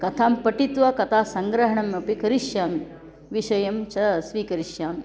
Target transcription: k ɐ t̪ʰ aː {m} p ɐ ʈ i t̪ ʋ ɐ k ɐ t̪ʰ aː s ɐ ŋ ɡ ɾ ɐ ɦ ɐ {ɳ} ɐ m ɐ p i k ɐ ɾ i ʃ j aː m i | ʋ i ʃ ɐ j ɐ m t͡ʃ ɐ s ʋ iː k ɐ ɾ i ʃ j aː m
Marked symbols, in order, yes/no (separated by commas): yes, yes